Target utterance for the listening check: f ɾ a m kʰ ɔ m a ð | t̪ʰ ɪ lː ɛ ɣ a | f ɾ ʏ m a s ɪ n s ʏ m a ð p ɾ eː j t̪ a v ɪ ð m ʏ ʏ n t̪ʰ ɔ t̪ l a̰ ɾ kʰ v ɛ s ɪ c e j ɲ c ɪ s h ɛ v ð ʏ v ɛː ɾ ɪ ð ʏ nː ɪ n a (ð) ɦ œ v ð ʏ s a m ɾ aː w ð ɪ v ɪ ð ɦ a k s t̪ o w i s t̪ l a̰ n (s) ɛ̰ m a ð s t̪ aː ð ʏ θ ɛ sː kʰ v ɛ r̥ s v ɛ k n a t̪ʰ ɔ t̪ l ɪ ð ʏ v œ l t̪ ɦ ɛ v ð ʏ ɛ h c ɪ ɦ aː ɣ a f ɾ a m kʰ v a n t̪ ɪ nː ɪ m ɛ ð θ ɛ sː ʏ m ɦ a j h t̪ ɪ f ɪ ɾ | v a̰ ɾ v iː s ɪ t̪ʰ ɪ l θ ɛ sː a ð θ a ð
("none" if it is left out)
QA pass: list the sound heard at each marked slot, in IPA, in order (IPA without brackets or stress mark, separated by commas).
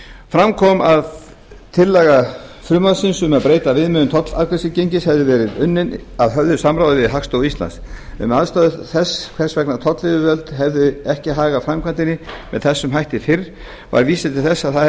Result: ð, s